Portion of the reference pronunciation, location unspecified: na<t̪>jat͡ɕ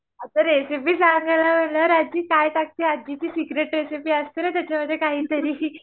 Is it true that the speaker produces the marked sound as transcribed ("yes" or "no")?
yes